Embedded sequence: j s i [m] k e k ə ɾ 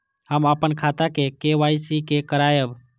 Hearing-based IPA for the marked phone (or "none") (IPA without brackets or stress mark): none